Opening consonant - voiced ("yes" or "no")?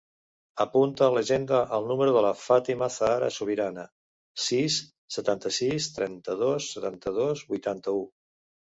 no